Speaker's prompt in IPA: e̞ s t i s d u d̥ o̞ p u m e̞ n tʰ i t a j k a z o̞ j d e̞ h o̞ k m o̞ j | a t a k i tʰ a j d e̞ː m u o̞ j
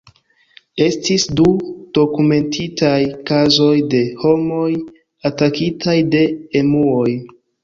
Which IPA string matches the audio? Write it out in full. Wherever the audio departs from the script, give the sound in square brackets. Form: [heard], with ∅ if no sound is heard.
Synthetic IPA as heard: e̞ s t i s d u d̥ o̞ [k] u m e̞ n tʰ i t a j k a z o̞ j d e̞ h o̞ [∅] m o̞ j | a t a k i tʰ a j d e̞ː m u o̞ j